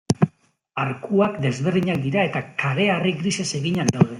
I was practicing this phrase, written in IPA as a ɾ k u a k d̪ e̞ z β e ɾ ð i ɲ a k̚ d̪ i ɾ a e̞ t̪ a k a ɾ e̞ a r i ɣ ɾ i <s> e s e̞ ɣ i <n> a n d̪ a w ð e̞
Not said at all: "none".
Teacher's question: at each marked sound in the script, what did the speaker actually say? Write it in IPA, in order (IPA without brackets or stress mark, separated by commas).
s, ɲ